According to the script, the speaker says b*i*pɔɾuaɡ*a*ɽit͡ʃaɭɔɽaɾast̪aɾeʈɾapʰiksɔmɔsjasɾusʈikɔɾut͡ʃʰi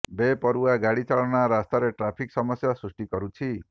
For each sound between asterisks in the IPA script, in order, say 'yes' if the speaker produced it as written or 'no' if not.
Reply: no, yes

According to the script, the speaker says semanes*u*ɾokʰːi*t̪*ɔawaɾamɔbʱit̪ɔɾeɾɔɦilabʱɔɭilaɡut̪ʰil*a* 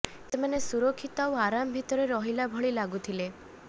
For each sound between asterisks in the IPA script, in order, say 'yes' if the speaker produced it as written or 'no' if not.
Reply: yes, yes, no

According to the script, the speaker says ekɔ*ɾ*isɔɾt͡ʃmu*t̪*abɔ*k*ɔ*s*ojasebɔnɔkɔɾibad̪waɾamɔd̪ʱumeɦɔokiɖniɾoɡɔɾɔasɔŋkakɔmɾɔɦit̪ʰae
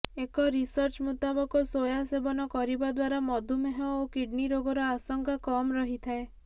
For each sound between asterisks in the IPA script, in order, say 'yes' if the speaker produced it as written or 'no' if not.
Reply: yes, yes, yes, yes

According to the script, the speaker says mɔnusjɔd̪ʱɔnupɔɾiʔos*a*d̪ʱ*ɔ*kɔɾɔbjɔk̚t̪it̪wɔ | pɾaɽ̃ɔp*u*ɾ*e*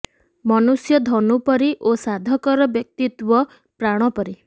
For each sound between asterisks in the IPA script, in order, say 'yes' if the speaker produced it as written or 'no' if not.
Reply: yes, yes, no, no

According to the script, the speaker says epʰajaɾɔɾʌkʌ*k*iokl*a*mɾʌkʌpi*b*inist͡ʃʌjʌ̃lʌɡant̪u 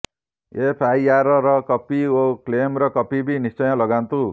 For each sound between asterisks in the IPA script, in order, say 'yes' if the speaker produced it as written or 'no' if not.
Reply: no, no, yes

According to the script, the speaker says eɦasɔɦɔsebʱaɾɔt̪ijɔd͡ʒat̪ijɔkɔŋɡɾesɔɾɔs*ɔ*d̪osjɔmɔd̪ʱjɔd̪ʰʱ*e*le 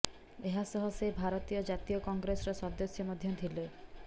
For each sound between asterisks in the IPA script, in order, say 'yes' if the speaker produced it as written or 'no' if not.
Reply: yes, no

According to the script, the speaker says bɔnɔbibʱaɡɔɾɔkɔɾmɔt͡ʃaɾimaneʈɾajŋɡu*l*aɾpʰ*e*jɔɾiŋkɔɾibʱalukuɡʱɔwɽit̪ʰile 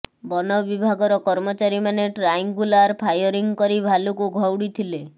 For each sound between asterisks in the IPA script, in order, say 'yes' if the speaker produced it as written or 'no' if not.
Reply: yes, no

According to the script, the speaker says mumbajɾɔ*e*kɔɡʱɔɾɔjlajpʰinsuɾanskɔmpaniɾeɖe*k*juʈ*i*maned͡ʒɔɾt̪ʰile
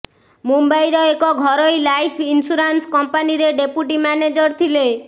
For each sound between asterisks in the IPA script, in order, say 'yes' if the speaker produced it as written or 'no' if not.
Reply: yes, no, yes

